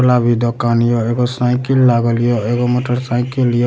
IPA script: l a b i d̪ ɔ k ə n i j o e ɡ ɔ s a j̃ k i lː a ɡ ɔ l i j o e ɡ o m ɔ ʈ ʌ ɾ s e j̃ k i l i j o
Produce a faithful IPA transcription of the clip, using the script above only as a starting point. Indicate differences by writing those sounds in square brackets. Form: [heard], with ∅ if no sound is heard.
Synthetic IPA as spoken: l a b i d̪ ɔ k [a] n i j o e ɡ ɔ s a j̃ k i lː a ɡ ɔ l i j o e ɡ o m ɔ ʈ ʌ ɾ s [a] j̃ k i l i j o